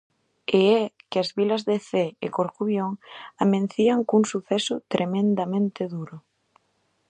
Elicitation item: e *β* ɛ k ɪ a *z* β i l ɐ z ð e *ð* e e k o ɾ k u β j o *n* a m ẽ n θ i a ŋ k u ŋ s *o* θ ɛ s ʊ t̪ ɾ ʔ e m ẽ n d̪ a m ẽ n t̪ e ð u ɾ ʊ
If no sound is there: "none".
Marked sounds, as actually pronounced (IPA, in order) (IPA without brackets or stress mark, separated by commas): none, z, θ, ŋ, u